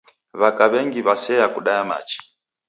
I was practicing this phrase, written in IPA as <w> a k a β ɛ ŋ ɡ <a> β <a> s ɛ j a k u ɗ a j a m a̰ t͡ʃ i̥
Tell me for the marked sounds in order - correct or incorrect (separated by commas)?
incorrect, incorrect, correct